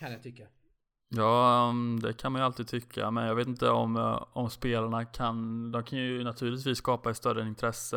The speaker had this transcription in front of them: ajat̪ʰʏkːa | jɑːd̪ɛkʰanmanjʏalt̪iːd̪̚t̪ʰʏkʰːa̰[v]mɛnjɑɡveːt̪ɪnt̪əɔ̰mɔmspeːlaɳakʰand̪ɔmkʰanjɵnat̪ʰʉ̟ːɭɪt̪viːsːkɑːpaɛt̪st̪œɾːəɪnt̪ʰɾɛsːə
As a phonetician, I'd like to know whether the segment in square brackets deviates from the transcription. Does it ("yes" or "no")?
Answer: yes